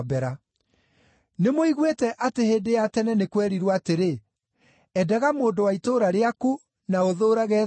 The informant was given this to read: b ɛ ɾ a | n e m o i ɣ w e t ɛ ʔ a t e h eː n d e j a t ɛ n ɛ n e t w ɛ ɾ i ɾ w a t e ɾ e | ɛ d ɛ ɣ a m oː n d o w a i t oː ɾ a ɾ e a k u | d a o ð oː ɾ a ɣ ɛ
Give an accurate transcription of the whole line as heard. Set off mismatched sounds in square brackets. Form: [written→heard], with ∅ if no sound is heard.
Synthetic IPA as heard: b ɛ ɾ a | n e m o i ɣ w e t ɛ ʔ a t e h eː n d e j a t ɛ n ɛ n e [t→k] w ɛ ɾ i ɾ w a t e ɾ e | ɛ d ɛ ɣ a m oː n d o w a i t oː ɾ a ɾ e a k u | [d→n] a o ð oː ɾ a ɣ ɛ